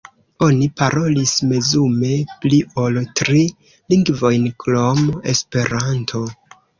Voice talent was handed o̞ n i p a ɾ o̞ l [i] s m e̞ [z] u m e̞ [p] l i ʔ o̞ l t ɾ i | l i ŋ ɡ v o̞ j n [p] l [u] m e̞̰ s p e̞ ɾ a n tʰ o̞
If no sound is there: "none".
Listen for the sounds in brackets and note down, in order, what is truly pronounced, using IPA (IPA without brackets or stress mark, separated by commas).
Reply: i, z, p, k, o